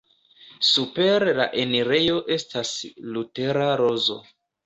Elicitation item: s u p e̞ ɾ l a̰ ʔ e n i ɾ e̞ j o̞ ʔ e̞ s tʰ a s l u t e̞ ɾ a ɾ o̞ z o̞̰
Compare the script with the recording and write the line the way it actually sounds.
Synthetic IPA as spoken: s u p e̞ ɾ l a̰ ʔ e n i ɾ e̞ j o̞ ʔ e̞ s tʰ a s l u t e̞ ɾ a ɾ o̞ z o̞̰

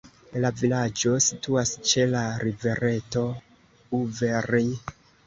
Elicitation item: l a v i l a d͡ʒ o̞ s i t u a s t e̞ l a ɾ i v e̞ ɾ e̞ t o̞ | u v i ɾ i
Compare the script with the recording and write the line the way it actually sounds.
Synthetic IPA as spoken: l a v i l a d͡ʒ o̞ s i t u a s t͡ʃ e̞ l a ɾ i v e̞ ɾ e̞ t o̞ | u v e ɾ i

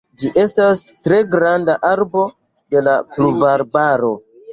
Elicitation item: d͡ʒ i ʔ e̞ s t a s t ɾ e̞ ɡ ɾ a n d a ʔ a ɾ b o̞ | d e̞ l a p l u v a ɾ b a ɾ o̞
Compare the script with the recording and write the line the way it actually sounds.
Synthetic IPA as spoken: d͡ʒ i ʔ e̞ s t a s t ɾ e̞ ɡ ɾ a n d a ʔ a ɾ b o̞ | d e̞ l a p l u v a ɾ b a ɾ o̞

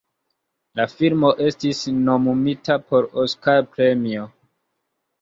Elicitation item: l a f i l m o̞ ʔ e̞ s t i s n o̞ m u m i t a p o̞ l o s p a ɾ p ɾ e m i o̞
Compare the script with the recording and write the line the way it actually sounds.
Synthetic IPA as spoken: l a f i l m o̞ ʔ e̞ s t i s n o̞ m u m i t a p o̞ ɾ o s k a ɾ p ɾ e m i o̞

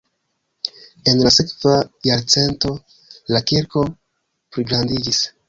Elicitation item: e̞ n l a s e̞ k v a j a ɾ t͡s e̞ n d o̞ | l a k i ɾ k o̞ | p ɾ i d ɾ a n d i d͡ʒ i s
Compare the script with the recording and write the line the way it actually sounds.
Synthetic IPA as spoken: e̞ n l a s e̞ k v a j a ɾ t͡s e̞ n t o̞ | l a k i ɾ k o̞ | p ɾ i ɡ ɾ a n d i d͡ʒ i s

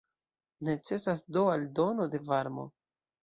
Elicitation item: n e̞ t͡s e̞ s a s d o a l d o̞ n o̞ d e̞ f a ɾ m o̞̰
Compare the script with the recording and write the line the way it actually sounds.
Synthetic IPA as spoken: n e̞ t͡s e̞ s a s d o a l d o̞ n o̞ d e̞ v a ɾ m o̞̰

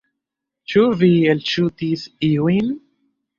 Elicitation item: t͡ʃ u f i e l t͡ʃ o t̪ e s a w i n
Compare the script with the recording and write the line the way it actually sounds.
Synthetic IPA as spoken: t͡ʃ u v i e l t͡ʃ u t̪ i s i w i n

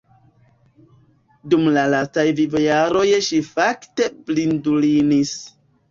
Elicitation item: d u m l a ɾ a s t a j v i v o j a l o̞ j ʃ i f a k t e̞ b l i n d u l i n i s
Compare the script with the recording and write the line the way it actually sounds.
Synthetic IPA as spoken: d u m l a l a s t a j v i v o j a ɾ o̞ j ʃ i f a k t e̞ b l i n d u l i n i s

